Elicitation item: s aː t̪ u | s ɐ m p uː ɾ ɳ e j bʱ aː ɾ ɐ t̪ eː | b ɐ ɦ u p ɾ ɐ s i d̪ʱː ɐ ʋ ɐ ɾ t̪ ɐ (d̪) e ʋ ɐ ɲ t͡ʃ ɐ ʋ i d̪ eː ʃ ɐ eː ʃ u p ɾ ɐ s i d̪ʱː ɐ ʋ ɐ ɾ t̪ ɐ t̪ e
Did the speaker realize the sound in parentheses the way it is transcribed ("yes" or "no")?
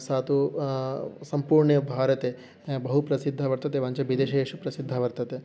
no